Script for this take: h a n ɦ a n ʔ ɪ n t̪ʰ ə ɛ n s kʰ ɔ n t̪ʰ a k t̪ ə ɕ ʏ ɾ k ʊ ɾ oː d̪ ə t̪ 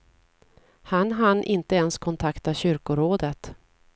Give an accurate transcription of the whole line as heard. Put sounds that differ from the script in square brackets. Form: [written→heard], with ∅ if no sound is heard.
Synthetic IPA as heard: h a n ɦ a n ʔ ɪ n [t̪ʰ→t̪] ə ɛ n s kʰ ɔ n t̪ʰ a k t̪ [ə→a] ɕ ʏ ɾ k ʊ ɾ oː d̪ ə t̪

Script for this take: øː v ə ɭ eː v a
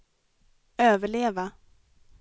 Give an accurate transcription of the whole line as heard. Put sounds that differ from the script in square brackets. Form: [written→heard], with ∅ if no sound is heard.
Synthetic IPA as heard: øː v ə ɭ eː v a

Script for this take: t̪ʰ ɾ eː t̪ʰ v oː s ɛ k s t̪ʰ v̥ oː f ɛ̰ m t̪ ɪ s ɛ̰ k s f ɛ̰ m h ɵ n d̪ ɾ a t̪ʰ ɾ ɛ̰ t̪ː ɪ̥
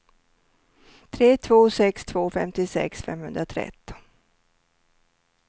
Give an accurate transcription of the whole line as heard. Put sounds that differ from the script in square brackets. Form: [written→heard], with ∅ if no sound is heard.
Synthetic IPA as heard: t̪ʰ ɾ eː t̪ʰ v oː s ɛ k s t̪ʰ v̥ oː f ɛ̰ m t̪ ɪ s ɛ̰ k s f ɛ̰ m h ɵ n d̪ ɾ a t̪ʰ ɾ ɛ̰ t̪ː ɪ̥

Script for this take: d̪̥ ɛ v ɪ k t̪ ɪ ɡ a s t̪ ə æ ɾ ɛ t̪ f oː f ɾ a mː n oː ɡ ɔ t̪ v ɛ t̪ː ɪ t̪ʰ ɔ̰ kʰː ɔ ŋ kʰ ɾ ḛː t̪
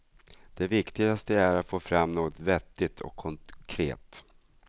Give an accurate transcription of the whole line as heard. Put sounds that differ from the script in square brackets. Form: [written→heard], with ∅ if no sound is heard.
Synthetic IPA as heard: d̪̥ ɛ v ɪ k t̪ ɪ ɡ a s t̪ ə æ ɾ [ɛ→a] t̪ f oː f ɾ a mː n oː ɡ ɔ t̪ v ɛ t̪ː ɪ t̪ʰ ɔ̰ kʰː ɔ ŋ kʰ ɾ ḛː t̪

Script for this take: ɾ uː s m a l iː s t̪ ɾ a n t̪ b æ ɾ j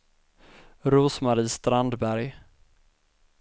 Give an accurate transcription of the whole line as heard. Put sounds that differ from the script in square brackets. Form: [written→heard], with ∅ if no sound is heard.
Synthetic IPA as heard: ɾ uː s m a [l→ɾ] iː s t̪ ɾ a n [t̪→d̪] b æ ɾ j

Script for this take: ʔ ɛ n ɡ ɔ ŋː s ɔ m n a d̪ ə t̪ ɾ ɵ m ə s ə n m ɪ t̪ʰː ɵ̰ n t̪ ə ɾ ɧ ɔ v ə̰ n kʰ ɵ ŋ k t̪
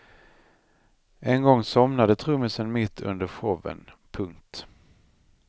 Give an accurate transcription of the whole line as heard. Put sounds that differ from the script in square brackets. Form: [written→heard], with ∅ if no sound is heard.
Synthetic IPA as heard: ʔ ɛ n ɡ ɔ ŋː s ɔ m n a d̪ ə [t̪→t̪ʰ] ɾ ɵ m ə s ə n m ɪ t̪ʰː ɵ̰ n [t̪→d̪] ə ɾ ɧ ɔ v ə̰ n [kʰ→pʰ] ɵ ŋ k t̪

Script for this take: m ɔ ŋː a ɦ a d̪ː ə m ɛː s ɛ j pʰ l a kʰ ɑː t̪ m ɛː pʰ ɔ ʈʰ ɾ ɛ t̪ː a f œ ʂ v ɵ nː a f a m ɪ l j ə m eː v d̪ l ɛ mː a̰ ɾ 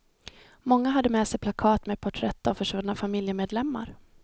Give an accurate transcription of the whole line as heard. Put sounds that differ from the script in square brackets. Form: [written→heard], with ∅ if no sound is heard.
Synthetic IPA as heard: m ɔ ŋː a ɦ a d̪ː ə m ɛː s ɛ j pʰ l a kʰ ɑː t̪ m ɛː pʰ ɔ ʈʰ ɾ ɛ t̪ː a f œ ʂ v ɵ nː a f a m ɪ l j ə m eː [v→∅] d̪ l ɛ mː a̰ ɾ

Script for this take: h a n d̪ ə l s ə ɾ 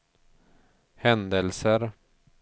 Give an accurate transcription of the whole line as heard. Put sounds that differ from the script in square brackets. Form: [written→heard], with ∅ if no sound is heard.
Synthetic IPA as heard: h [a→ɛ] n d̪ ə l s ə ɾ

